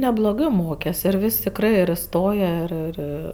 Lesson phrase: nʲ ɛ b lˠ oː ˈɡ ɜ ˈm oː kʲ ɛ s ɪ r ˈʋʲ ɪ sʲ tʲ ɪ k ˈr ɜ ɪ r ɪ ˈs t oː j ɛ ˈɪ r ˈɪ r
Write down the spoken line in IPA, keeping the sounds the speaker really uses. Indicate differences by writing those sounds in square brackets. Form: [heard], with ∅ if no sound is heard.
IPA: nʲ ɛ b lˠ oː ˈɡ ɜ ˈm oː kʲ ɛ s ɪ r ˈʋʲ ɪ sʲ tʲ ɪ k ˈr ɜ ɪ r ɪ ˈs t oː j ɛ ˈɪ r ˈɪ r

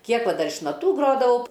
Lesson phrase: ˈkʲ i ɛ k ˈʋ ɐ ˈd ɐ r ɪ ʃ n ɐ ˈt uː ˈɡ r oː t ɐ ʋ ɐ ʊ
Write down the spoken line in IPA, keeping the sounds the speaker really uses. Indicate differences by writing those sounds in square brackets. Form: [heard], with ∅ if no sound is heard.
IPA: ˈkʲ i ɛ k ˈʋ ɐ ˈd ɐ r ɪ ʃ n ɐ ˈt uː ˈɡ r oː [d] ɐ ʋ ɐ ʊ

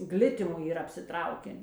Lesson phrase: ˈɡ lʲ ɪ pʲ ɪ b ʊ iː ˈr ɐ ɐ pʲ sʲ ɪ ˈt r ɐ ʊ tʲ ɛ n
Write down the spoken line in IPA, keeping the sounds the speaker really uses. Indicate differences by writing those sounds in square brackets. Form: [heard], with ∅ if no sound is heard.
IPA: ˈɡ lʲ ɪ [tʲ] ɪ [m] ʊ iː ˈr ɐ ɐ pʲ sʲ ɪ ˈt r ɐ ʊ [kʲ] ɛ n

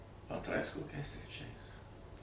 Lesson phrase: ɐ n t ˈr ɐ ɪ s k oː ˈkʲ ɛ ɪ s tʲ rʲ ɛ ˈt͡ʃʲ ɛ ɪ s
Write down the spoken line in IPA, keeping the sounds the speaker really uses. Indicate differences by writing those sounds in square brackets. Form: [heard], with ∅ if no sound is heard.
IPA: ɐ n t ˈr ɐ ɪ s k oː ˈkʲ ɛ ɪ s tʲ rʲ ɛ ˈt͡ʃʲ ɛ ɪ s

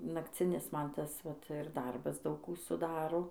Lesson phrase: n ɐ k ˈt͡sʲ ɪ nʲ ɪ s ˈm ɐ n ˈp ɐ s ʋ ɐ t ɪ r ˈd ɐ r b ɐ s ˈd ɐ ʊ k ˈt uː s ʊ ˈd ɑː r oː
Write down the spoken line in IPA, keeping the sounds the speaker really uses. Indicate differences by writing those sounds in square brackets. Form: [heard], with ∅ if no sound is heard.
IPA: n ɐ k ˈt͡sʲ ɪ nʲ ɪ s ˈm ɐ n [ˈt] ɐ s ʋ ɐ t ɪ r ˈd ɐ r b ɐ s ˈd ɐ ʊ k [ˈk] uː s ʊ ˈd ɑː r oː

